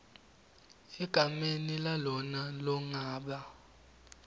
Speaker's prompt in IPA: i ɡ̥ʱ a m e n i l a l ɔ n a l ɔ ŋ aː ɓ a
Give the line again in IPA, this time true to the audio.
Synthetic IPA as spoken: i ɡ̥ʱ a m e n i l a l ɔ n a l ɔ ŋ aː ɓ a